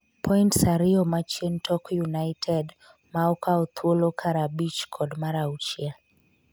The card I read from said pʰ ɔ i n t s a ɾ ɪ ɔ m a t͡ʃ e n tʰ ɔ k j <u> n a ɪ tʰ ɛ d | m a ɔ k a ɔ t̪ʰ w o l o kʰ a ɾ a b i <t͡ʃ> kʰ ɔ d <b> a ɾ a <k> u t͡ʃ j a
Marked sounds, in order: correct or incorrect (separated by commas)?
correct, correct, incorrect, incorrect